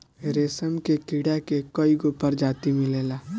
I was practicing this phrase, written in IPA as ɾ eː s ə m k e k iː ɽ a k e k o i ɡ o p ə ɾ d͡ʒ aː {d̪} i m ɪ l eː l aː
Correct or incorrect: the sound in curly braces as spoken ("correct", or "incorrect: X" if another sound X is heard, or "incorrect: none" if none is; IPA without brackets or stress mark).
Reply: incorrect: t̪